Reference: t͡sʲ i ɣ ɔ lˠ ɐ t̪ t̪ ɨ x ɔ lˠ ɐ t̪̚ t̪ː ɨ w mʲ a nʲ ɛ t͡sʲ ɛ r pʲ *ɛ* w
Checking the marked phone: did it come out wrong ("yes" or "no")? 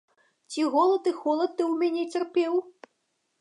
no